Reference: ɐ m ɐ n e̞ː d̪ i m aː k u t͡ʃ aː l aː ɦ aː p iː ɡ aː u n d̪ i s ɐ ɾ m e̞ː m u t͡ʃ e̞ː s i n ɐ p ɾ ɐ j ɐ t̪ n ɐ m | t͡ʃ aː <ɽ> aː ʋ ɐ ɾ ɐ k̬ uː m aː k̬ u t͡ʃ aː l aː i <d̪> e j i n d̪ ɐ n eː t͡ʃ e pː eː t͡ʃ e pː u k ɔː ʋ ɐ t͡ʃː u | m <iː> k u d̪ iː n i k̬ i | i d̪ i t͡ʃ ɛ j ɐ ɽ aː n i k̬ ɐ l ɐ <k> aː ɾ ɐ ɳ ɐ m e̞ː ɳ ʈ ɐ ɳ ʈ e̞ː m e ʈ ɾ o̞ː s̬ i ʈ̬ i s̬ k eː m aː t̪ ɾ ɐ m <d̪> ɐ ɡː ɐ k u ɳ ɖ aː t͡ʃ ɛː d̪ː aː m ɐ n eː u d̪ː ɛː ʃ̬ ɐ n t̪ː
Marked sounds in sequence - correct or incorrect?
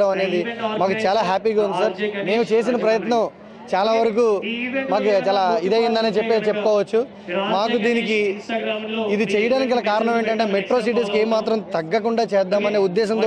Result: incorrect: l, correct, incorrect: aː, correct, incorrect: t̪

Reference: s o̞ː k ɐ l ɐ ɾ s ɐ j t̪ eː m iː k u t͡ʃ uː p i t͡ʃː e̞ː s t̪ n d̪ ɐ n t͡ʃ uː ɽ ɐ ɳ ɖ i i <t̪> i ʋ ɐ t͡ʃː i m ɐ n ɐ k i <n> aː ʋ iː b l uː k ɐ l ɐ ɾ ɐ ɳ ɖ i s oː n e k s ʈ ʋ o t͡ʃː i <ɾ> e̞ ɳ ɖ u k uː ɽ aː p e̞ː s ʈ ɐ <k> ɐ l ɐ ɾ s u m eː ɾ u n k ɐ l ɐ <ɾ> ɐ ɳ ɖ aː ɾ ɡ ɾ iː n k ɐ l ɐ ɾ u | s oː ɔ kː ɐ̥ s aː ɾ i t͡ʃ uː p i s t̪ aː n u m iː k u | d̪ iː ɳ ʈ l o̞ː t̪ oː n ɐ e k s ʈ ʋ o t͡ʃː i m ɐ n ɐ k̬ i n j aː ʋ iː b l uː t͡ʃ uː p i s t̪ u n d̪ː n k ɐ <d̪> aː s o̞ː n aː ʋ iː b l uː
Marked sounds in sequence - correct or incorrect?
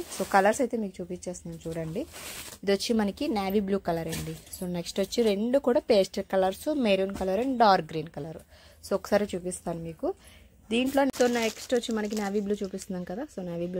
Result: incorrect: d̪, correct, correct, correct, correct, correct

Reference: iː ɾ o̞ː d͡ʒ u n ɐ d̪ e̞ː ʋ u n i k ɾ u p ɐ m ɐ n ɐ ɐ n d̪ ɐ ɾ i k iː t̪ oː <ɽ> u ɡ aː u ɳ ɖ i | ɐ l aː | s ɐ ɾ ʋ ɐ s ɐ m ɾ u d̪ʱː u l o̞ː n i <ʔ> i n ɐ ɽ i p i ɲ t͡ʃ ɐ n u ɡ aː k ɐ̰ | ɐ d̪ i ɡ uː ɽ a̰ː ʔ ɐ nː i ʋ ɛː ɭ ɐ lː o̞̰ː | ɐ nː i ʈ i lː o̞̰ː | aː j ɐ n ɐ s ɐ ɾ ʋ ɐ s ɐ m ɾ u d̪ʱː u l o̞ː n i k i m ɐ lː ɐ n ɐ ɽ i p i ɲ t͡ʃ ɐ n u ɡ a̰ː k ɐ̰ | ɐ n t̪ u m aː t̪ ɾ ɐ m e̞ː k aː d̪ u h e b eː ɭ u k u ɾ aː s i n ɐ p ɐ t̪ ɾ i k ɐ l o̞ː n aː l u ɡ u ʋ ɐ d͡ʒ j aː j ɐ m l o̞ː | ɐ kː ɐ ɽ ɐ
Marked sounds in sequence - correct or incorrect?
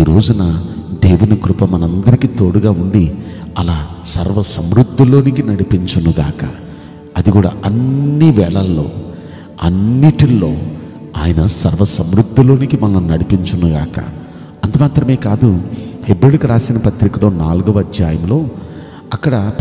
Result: correct, incorrect: k

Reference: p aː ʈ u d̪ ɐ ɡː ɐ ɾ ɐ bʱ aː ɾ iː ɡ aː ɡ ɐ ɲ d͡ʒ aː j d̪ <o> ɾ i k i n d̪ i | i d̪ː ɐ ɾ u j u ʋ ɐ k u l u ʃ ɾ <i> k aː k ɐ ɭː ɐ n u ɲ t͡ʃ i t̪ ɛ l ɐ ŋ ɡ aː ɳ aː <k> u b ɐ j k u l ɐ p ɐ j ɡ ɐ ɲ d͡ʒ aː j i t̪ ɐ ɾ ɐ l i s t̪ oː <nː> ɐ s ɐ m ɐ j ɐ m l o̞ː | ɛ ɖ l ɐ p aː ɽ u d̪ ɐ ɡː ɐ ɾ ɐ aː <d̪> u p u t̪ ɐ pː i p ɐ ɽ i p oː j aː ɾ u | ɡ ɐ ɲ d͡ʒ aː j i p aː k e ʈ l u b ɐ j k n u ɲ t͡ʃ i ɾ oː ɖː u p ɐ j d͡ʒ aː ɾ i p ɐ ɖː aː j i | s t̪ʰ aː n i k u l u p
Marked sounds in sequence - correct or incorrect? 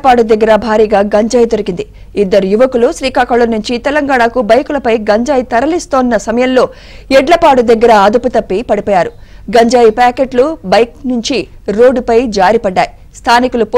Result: correct, incorrect: iː, correct, correct, correct

